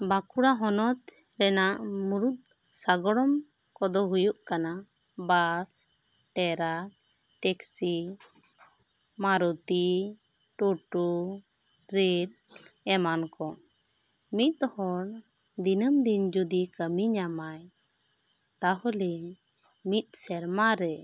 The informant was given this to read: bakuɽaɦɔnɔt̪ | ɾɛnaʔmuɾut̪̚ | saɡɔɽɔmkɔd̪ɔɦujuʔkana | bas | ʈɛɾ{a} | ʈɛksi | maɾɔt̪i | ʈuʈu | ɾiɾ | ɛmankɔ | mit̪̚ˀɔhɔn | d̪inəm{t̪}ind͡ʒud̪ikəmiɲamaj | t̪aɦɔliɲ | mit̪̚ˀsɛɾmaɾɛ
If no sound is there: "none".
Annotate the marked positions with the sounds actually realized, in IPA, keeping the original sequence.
a, d̪

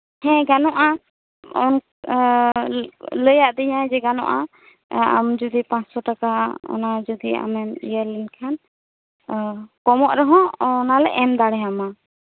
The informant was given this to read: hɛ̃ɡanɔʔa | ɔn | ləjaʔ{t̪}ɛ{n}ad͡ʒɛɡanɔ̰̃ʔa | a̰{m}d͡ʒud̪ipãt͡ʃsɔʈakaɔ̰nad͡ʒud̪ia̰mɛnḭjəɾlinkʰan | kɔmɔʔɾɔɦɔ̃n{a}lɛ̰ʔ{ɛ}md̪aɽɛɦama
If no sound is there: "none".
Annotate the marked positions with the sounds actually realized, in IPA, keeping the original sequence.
d̪, ɲ, m, a, ɛ

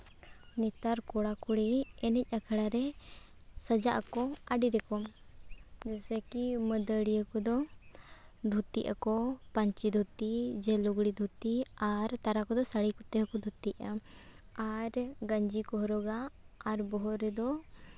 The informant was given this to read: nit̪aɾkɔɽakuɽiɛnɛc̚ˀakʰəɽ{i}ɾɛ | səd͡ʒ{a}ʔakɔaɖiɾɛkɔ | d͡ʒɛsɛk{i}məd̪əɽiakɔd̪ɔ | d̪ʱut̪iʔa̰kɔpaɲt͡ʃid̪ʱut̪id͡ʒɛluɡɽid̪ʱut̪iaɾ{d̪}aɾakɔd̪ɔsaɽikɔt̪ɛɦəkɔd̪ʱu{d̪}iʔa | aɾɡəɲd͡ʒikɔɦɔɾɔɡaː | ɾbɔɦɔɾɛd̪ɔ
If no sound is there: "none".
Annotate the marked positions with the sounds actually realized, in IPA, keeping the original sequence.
a, a, i, t̪, t̪

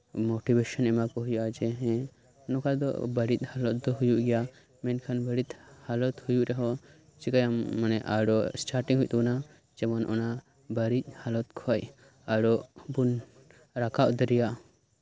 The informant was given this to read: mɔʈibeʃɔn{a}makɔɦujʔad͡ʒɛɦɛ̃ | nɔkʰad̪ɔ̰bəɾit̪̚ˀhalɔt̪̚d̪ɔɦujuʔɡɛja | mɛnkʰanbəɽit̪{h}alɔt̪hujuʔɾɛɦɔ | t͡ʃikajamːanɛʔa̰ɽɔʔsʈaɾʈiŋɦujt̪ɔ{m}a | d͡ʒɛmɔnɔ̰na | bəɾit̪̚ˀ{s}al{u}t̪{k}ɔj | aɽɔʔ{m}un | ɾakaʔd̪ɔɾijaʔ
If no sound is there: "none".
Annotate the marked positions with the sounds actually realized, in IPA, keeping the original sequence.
ɛ, h, n, h, ɔ, kʰ, b

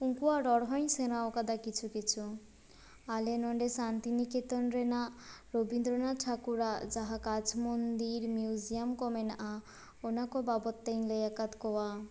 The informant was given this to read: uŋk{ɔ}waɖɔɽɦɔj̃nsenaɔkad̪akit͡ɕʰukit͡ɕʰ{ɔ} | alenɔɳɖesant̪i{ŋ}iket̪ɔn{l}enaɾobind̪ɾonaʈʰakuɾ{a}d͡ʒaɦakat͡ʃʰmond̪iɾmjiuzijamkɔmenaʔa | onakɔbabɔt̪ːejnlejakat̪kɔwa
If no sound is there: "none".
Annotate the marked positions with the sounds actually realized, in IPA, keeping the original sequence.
u, u, n, ɾ, a

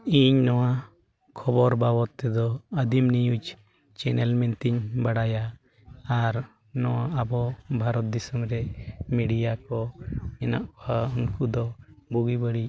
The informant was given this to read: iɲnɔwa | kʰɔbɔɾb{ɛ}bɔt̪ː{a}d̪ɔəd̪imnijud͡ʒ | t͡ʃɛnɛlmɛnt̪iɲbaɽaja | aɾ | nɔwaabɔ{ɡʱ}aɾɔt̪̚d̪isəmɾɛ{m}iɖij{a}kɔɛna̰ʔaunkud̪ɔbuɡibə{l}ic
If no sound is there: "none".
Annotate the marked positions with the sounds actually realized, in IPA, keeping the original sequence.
a, ɛ, bʱ, m, a, ɽ

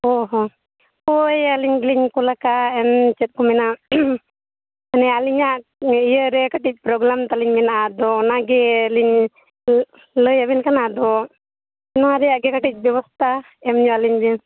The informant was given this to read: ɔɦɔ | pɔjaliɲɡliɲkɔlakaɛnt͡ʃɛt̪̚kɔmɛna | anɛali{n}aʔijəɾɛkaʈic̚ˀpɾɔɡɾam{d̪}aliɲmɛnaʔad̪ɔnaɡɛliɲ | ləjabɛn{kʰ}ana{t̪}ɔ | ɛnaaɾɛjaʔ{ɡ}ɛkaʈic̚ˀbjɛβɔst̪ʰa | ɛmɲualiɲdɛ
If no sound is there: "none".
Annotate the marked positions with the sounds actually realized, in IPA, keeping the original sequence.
ɲ, t̪, k, d̪, ɡ

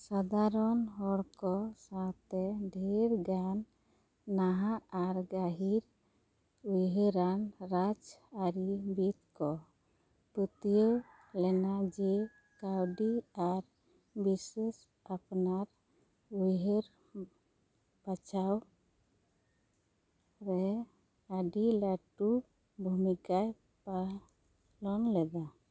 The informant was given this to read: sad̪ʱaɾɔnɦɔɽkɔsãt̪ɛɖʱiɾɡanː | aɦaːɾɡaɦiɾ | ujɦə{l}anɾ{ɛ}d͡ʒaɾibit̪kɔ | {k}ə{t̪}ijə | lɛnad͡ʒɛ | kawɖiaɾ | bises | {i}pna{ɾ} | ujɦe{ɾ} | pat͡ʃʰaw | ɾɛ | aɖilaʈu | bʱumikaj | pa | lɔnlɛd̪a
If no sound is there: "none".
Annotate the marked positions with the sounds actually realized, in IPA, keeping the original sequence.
ɾ, a, p, t̪, a, ɾ, ɾ

